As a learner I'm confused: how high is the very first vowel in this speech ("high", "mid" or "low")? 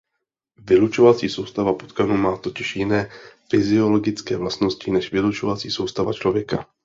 high